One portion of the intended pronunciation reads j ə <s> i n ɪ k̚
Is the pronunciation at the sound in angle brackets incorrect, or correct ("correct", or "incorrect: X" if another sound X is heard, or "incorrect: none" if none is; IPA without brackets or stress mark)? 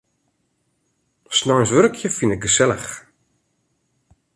incorrect: f